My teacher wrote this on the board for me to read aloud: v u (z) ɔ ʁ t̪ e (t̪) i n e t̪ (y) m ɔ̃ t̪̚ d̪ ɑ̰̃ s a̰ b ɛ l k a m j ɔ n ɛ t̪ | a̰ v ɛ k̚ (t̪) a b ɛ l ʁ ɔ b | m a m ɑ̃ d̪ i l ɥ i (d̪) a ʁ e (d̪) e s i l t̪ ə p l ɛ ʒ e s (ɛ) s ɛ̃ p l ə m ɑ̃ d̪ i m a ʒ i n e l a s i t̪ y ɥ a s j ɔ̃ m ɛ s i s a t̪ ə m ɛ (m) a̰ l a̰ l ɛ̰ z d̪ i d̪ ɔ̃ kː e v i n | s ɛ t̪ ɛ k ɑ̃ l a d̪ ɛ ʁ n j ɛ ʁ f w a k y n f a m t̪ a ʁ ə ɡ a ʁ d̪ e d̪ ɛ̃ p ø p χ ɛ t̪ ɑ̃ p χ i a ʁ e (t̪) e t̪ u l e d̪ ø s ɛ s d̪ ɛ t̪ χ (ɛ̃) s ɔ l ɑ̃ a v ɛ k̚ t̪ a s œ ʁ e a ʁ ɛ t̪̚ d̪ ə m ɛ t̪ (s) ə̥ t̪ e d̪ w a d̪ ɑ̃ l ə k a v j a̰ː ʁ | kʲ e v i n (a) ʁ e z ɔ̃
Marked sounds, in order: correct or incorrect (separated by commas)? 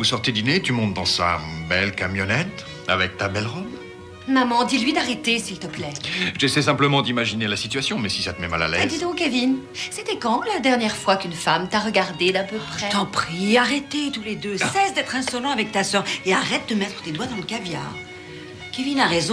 incorrect, incorrect, correct, correct, correct, incorrect, correct, correct, correct, correct, incorrect, correct